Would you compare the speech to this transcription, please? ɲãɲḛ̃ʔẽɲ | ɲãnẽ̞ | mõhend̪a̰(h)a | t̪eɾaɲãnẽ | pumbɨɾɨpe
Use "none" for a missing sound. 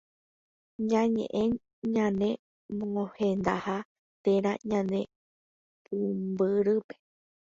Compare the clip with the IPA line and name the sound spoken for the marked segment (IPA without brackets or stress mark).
h